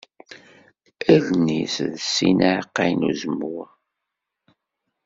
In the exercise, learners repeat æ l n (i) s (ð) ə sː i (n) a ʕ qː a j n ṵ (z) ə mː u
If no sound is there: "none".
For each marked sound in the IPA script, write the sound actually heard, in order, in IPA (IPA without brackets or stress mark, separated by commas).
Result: i, ð, n, z